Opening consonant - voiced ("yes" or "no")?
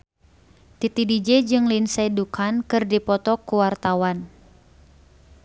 no